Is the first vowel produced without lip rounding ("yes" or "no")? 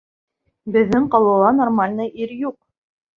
yes